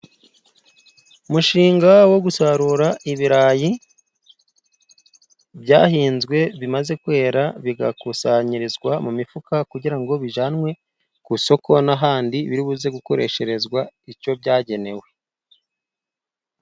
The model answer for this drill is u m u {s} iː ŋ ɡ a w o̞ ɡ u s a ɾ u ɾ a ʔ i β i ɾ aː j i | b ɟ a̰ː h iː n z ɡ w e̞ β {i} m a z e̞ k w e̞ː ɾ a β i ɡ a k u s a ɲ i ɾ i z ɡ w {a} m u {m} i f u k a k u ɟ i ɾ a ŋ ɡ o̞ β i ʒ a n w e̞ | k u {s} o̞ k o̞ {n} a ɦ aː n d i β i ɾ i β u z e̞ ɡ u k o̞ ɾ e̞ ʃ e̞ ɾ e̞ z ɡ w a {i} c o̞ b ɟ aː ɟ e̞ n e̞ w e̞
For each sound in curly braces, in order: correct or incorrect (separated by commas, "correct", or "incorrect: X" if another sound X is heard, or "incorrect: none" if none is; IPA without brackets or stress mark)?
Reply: incorrect: ʃ, correct, correct, correct, correct, correct, correct